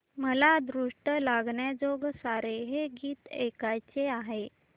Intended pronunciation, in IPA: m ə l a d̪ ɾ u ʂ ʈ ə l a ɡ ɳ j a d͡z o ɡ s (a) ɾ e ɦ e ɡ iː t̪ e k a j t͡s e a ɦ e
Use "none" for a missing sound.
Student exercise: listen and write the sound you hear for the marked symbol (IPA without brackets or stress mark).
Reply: a